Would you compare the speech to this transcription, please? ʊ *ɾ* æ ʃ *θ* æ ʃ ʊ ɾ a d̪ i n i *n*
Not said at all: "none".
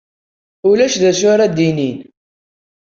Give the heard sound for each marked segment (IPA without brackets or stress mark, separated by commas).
l, ð, n